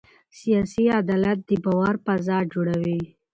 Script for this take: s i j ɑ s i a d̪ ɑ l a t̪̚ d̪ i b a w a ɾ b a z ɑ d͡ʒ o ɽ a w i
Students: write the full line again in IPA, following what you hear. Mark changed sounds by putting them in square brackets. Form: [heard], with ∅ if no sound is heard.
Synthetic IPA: s i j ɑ s i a d̪ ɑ l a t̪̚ d̪ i b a w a ɾ [p] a z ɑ d͡ʒ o ɽ a w i

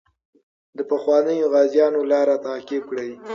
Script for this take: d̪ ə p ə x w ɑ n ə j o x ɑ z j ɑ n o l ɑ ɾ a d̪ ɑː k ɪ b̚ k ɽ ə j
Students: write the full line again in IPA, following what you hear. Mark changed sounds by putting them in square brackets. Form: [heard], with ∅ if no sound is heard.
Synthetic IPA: d̪ ə p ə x w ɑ n ə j o [ɣ] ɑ z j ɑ n o l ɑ ɾ a [t̪] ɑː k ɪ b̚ k ɽ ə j

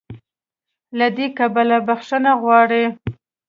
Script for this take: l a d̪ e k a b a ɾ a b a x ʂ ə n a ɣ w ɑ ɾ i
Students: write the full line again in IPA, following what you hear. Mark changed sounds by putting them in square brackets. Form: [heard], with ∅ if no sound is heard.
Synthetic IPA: l a d̪ e k a b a [l] a b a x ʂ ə n a ɣ w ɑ [ɽ] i

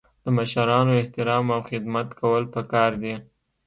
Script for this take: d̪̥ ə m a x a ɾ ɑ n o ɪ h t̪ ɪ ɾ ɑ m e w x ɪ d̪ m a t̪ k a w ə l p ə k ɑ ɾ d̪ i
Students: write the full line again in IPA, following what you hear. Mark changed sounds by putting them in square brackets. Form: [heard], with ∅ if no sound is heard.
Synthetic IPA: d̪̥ ə m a [ʃ] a ɾ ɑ n o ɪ h t̪ ɪ ɾ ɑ m [a] w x ɪ d̪ m a t̪ k a w ə l p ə k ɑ ɾ d̪ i

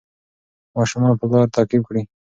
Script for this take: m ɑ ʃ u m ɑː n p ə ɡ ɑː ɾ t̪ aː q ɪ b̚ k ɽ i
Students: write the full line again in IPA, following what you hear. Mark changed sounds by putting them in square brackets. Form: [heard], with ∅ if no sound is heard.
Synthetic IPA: m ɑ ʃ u m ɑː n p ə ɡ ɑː ɾ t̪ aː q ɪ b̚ k ɽ i

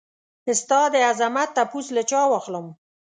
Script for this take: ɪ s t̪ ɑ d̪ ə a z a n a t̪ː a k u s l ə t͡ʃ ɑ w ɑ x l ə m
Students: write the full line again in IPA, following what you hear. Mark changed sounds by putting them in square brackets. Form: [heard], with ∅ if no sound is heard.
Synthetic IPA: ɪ s t̪ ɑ d̪ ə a z a [m] a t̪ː a [p] u s l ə t͡ʃ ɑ w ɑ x l ə m

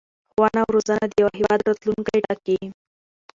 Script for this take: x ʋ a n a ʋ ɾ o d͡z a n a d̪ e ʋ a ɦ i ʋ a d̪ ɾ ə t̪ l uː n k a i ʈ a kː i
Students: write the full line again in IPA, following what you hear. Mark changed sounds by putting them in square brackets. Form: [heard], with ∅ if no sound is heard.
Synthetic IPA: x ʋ a n a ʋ ɾ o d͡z a n a d̪ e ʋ a ɦ i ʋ a d̪ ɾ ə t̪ l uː n k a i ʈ a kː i

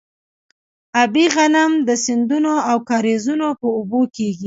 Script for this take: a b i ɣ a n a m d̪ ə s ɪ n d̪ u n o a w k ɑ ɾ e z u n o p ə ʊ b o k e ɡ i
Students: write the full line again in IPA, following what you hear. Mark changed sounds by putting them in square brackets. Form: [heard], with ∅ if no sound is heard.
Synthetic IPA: a b i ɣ a n a m d̪ ə s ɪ n d̪ u n o a w k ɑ ɾ e z u n o p ə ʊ b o k e ɡ i

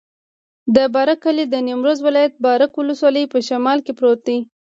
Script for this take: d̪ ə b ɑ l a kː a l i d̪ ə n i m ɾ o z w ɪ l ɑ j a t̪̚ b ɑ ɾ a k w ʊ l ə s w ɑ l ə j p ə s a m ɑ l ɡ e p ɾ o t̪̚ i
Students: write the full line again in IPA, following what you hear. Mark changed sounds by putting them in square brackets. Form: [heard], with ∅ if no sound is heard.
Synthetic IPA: d̪ ə b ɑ [ɾ] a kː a l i d̪ ə n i m ɾ o z w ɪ l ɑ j a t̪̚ b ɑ ɾ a k w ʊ l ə s w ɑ l ə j p ə [ʃ] a m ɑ l [k] e p ɾ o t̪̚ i

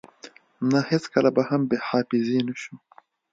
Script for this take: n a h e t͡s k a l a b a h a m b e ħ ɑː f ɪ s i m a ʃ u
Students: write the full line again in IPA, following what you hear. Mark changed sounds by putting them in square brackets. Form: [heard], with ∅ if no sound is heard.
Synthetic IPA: n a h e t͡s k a l a b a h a m b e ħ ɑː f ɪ [z] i [n] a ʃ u

